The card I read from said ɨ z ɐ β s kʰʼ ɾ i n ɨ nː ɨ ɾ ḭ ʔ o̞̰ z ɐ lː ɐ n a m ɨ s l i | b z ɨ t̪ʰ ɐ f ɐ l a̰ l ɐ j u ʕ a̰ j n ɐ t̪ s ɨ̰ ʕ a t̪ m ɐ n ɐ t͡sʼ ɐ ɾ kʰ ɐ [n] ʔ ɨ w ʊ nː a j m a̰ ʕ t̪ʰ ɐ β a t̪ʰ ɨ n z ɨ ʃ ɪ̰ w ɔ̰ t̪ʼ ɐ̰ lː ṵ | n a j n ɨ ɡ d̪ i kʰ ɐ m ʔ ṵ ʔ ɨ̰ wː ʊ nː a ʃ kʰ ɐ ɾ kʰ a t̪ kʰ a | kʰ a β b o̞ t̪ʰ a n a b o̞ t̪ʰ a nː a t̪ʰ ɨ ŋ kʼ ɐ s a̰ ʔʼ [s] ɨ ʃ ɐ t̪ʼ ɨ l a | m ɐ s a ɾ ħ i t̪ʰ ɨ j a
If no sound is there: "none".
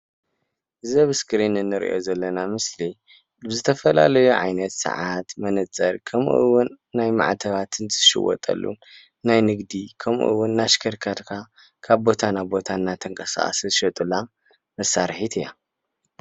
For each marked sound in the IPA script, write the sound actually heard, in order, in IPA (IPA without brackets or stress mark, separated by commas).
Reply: m, s